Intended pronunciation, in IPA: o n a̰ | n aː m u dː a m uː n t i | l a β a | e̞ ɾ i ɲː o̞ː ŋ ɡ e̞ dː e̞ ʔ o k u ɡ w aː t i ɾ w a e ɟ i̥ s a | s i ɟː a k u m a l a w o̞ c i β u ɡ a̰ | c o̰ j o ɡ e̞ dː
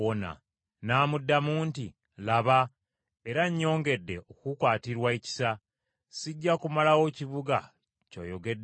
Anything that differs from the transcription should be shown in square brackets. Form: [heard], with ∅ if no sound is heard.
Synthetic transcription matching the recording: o n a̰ | n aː m u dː a m uː n t i | l a β a | e̞ ɾ [a] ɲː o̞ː ŋ ɡ e̞ dː e̞ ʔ o k u [k] w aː t i ɾ w a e [c] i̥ s a | s i ɟː a k u m a l a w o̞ c i β u ɡ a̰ | c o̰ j o ɡ e̞ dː